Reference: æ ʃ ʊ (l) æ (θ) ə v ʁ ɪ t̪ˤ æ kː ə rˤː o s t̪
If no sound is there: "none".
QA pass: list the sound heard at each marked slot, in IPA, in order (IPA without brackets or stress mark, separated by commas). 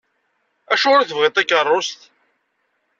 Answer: ɾ, θ